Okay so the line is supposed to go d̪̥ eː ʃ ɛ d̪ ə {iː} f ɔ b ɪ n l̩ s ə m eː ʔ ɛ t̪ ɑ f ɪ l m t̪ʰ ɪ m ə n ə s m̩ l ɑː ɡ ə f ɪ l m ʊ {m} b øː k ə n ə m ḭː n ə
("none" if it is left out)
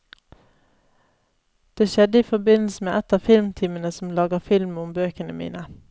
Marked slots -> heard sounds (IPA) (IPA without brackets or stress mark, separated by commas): iː, m